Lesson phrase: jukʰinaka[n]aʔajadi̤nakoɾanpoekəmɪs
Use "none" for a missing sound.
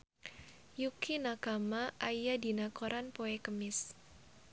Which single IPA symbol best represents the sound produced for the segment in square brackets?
m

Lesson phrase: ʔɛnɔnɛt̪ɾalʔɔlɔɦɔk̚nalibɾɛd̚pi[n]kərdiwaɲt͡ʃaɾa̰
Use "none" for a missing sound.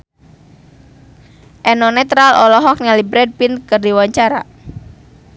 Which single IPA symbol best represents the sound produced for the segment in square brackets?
n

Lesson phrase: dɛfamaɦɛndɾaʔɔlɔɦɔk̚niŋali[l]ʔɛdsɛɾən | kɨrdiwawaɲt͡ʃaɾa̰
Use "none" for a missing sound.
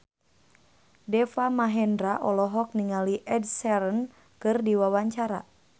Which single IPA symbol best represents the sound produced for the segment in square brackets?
none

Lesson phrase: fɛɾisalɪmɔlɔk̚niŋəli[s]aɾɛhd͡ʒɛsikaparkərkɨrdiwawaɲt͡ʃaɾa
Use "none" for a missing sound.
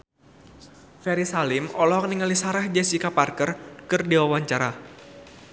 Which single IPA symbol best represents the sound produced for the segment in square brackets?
s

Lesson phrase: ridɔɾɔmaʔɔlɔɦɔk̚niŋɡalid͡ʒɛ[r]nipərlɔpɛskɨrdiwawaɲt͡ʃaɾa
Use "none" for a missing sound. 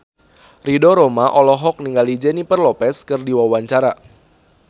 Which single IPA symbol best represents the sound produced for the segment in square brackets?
none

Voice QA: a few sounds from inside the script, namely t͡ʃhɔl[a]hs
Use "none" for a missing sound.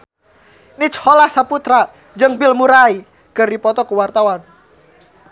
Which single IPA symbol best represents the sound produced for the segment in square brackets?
a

